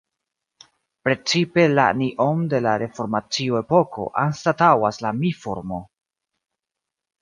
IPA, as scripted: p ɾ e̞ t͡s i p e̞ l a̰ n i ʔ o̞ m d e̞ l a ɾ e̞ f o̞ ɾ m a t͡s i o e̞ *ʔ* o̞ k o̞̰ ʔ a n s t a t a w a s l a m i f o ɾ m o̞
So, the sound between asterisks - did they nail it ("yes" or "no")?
no